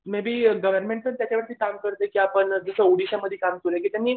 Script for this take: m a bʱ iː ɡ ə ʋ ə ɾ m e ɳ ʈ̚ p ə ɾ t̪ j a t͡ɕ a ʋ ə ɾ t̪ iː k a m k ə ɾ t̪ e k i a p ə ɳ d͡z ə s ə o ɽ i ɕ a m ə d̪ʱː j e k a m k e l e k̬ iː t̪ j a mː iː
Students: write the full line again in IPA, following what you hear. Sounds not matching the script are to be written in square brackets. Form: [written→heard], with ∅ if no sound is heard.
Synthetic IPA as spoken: m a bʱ iː ɡ ə ʋ ə ɾ m e ɳ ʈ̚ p ə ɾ t̪ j a t͡ɕ a ʋ ə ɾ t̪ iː k a m k ə ɾ t̪ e k i a p ə ɳ d͡z ə s ə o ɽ i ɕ a m ə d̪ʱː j e k a m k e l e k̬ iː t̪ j a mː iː

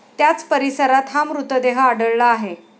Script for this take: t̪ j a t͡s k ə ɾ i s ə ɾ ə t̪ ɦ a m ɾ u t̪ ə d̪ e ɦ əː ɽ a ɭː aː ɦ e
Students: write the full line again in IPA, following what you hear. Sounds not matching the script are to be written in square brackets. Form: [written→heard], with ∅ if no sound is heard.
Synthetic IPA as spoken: t̪ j a t͡s [k→p] ə ɾ i s ə ɾ [ə→a] t̪ ɦ a m ɾ u t̪ ə d̪ e ɦ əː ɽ [a→ə] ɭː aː ɦ e

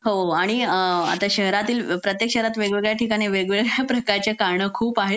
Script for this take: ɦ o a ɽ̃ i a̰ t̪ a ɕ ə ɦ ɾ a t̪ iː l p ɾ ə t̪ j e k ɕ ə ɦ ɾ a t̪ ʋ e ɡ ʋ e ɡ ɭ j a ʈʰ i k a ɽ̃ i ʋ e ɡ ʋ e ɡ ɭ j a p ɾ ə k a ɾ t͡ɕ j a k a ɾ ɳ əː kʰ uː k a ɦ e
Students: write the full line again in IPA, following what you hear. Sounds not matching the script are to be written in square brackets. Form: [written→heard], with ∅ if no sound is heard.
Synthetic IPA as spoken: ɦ o a ɽ̃ i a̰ t̪ a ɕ ə ɦ ɾ a t̪ iː l p ɾ ə t̪ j e k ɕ ə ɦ ɾ a t̪ ʋ e ɡ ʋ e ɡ ɭ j a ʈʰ i k a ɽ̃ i ʋ e ɡ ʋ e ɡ ɭ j a p ɾ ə k a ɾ t͡ɕ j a k a ɾ ɳ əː kʰ uː [k→p] a ɦ e

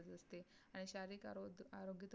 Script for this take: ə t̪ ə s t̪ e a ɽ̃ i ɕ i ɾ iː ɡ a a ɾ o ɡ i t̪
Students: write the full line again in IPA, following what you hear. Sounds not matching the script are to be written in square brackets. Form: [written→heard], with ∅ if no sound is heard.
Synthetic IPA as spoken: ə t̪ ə s t̪ e a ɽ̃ i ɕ [i→a] ɾ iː [ɡ→k] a a ɾ o ɡ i t̪

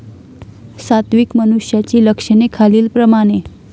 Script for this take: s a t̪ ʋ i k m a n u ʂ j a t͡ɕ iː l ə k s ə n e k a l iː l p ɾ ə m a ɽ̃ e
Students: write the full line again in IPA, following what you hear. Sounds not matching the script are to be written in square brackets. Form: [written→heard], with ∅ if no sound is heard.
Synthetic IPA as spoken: s a t̪ ʋ i k m [a→ə] n u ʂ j a t͡ɕ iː l ə k [s→ʂ] ə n e [k→kʰ] a l iː l p ɾ ə m a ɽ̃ e

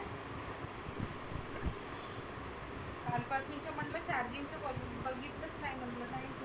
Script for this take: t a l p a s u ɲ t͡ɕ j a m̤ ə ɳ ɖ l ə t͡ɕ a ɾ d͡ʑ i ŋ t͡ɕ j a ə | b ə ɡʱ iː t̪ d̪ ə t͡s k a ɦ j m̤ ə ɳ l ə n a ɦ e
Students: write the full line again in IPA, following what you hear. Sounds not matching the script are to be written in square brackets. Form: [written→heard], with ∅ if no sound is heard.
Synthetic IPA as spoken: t a l p a s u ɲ t͡ɕ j a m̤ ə ɳ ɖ l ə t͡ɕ a ɾ d͡ʑ i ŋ t͡ɕ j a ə | b ə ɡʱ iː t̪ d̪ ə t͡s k a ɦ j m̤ ə ɳ l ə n a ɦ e

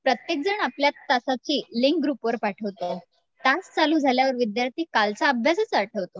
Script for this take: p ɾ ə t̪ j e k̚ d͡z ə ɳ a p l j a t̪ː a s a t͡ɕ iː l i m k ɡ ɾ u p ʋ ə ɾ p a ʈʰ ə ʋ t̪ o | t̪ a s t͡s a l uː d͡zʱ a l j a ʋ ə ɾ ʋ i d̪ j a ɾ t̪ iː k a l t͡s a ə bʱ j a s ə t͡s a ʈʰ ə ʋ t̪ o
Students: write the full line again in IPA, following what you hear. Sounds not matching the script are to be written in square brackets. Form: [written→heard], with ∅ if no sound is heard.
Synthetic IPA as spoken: p ɾ ə t̪ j e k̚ d͡z ə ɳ a p l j a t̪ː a s a t͡ɕ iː l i [m→ŋ] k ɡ ɾ u p ʋ ə ɾ p a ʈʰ ə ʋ t̪ o | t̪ a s t͡s a l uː d͡zʱ a l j a ʋ ə ɾ ʋ i d̪ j a ɾ t̪ iː k a l t͡s a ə bʱ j a s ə t͡s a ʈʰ ə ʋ t̪ o

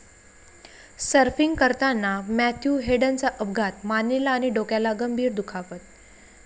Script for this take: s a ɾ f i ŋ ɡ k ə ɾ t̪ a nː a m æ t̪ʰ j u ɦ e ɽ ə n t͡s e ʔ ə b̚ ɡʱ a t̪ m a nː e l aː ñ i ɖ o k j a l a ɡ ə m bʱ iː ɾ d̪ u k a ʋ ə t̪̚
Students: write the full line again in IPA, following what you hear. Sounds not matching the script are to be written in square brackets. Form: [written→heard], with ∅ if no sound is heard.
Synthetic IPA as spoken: s [a→ə] ɾ f i ŋ ɡ k ə ɾ t̪ a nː a m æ t̪ʰ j u ɦ e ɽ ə n t͡s [e→a] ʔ ə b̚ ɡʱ a t̪ m a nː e l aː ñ i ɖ o k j a l a ɡ ə m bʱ iː ɾ d̪ u [k→kʰ] a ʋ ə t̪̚

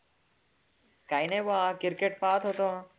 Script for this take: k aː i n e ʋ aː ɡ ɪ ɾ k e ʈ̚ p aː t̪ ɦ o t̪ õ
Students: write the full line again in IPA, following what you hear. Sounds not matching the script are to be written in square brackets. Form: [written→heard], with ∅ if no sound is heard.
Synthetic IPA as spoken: k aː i n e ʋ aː [ɡ→k] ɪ ɾ k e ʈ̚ p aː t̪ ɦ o t̪ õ

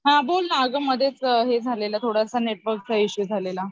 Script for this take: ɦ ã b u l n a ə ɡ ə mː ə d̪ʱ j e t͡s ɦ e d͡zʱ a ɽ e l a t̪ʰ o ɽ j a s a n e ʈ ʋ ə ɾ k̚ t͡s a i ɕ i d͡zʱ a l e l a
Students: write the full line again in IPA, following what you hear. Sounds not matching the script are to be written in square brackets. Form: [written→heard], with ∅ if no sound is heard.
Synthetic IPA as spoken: ɦ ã b [u→o] l n a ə ɡ ə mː ə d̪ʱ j e t͡s ɦ e d͡zʱ a [ɽ→l] e l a t̪ʰ o ɽ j a s a n e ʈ ʋ ə ɾ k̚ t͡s a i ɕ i d͡zʱ a l e l a

